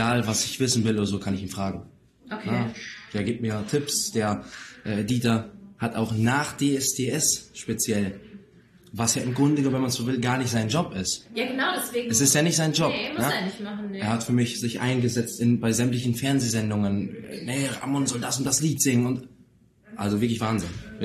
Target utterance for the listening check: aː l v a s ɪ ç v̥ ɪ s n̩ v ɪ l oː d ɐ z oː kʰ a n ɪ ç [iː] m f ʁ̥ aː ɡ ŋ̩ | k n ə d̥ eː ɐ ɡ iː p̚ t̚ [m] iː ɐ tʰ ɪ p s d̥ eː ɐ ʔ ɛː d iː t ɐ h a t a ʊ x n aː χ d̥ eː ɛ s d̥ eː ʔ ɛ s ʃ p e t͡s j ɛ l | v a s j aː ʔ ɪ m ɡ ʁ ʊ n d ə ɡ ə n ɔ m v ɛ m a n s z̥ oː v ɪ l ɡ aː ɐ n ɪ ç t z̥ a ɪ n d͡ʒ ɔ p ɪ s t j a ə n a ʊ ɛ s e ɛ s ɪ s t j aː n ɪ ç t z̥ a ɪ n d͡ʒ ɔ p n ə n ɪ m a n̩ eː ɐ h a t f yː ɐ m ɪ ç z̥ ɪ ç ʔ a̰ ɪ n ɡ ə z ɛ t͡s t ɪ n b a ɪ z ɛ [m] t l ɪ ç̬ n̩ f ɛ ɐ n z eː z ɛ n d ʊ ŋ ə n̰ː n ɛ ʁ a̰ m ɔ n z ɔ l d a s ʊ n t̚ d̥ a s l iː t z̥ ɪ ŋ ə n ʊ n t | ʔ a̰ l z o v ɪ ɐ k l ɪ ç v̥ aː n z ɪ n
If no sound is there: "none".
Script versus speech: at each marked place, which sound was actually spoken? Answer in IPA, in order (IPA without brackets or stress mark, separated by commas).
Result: iː, m, m